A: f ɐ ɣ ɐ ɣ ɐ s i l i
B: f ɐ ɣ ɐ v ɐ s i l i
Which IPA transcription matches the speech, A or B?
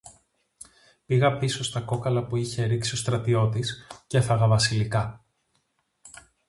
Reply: B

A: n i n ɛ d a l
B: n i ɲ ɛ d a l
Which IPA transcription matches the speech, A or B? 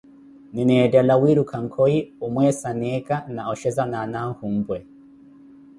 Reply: A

